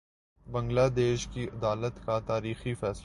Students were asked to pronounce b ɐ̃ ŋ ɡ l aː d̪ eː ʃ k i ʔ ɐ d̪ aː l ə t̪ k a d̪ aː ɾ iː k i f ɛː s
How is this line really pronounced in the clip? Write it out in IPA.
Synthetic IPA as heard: b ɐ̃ ŋ ɡ l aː d̪ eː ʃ k i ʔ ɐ d̪ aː l ə t̪ k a t̪ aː ɾ iː x i f ɛː s